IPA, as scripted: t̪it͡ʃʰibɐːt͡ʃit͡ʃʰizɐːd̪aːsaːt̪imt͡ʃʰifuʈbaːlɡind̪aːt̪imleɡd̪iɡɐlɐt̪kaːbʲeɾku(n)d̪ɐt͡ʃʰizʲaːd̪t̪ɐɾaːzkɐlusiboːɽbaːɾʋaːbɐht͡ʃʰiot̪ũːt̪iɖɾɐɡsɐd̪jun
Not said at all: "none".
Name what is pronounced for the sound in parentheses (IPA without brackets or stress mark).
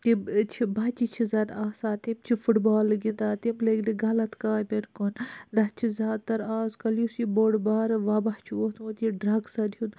n